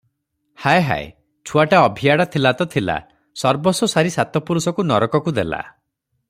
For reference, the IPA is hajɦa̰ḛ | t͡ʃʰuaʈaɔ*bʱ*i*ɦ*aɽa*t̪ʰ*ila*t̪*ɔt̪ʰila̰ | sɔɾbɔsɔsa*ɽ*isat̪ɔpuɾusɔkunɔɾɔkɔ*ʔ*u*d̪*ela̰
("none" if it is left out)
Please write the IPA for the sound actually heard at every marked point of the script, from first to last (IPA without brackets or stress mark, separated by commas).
bʱ, none, t̪ʰ, t̪, ɾ, k, d̪